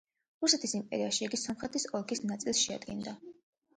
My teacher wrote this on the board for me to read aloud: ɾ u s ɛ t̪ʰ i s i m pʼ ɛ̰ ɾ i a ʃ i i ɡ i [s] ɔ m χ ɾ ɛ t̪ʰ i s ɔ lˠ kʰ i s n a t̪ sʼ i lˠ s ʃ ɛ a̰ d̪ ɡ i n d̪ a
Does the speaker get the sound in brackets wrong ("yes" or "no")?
no